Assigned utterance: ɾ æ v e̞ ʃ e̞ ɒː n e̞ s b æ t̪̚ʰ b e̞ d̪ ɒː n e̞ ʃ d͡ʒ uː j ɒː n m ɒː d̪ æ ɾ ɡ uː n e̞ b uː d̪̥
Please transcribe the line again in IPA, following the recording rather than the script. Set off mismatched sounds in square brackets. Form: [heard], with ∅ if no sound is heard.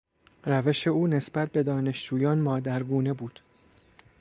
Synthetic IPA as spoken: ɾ æ v e̞ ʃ e̞ [uː] n e̞ s b æ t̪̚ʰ b e̞ d̪ ɒː n e̞ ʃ d͡ʒ uː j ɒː n m ɒː d̪ æ ɾ ɡ uː n e̞ b uː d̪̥